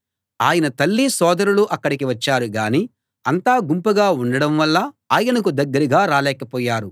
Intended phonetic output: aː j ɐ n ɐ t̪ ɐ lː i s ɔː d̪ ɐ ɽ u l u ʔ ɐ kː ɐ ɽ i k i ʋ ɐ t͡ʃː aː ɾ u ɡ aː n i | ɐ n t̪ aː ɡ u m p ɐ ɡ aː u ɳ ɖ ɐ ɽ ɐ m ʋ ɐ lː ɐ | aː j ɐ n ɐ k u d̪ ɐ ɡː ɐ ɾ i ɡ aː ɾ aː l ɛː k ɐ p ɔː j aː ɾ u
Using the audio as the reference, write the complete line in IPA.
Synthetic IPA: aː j ɐ n ɐ t̪ ɐ lː i s ɔː d̪ ɐ ɾ u l u ʔ ɐ kː ɐ ɽ i k i ʋ ɐ t͡ʃː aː ɾ u ɡ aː n i | ɐ n t̪ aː ɡ u m p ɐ ɡ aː u ɳ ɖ ɐ ɽ ɐ m ʋ ɐ lː ɐ | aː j ɐ n ɐ k u d̪ ɐ ɡː ɐ ɾ i ɡ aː ɾ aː l ɛː k ɐ p ɔː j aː ɾ u